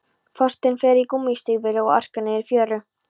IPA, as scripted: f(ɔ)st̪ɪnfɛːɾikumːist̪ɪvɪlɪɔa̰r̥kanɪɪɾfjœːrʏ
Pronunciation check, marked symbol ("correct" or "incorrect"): correct